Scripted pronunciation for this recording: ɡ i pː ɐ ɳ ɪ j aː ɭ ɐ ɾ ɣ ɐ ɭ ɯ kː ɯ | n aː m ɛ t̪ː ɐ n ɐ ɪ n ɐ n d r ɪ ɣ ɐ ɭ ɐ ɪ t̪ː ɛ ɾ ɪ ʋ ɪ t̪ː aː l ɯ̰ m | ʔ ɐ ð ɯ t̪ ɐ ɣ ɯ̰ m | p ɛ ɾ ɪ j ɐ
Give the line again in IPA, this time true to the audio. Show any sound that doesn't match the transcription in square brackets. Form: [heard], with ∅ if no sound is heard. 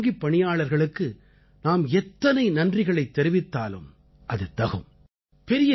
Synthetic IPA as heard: ɡ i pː ɐ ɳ ɪ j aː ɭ ɐ ɾ ɣ ɐ ɭ ɯ kː ɯ | n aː m ɛ t̪ː ɐ n ɐ ɪ n ɐ n d r ɪ ɣ ɐ ɭ ɐ ɪ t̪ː ɛ ɾ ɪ ʋ ɪ t̪ː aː l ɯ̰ m | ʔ ɐ ð ɯ t̪ ɐ ɣ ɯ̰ m | p ɛ ɾ ɪ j ɐ